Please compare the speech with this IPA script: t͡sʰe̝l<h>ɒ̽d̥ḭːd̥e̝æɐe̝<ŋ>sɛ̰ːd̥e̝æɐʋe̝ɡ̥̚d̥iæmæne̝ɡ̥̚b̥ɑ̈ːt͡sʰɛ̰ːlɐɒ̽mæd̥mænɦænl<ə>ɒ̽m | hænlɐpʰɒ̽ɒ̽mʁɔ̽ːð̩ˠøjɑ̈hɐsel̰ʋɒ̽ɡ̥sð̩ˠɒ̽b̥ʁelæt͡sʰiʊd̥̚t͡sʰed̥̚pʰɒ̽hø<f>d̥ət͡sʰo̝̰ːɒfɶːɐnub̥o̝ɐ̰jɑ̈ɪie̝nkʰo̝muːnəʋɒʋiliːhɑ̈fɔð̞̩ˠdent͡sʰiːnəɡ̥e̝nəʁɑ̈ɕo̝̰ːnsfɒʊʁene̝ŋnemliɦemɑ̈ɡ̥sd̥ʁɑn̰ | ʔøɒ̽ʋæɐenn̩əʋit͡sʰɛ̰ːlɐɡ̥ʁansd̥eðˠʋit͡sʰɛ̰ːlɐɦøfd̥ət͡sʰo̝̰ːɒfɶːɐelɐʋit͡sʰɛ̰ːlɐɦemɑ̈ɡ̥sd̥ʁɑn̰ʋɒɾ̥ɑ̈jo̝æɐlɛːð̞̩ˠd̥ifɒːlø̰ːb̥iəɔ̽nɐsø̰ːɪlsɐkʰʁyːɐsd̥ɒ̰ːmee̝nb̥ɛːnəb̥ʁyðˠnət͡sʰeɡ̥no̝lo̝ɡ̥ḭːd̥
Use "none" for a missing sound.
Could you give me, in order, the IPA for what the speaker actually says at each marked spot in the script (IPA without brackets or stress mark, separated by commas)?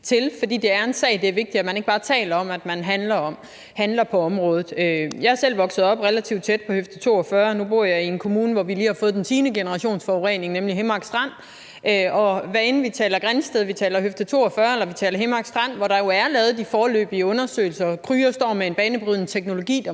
f, n, ɐ, f